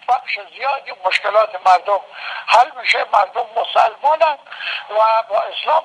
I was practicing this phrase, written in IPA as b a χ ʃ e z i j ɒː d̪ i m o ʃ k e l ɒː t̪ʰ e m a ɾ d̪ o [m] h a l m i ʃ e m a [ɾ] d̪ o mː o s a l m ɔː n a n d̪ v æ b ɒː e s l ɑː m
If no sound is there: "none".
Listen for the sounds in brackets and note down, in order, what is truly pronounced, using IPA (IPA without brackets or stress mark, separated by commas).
m, ɾ